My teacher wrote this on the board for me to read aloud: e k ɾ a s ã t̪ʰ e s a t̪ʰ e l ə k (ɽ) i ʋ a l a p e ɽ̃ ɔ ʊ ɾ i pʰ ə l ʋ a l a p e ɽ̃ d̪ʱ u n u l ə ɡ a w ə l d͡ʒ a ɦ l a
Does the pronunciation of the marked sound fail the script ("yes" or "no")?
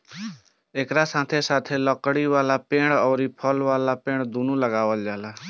no